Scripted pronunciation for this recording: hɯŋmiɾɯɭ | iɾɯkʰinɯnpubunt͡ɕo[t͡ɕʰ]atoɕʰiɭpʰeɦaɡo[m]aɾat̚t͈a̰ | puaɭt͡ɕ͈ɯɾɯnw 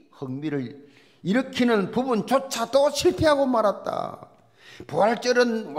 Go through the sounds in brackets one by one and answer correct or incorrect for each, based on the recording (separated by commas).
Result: correct, correct